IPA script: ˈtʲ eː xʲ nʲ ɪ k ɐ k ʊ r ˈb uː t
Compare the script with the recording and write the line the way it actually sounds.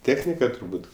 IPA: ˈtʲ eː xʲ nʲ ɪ k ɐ t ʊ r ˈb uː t